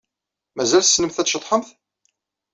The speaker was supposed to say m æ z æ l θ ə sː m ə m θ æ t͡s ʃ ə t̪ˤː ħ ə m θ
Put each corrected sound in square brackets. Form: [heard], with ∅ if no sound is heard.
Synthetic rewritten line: m æ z æ l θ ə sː [n] ə m θ æ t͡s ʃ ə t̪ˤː ħ ə m θ